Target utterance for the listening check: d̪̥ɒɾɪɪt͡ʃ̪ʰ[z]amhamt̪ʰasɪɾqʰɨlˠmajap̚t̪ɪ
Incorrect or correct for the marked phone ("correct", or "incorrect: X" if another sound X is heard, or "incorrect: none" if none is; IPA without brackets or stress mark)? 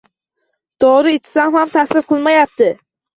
incorrect: s